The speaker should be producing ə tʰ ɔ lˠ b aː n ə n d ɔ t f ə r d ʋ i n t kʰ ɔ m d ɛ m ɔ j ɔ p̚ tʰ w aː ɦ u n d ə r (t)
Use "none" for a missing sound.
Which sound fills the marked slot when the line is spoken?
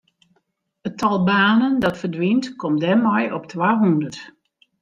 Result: t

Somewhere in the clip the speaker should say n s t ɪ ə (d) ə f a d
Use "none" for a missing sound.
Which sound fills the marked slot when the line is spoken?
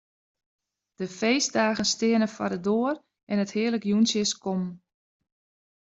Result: n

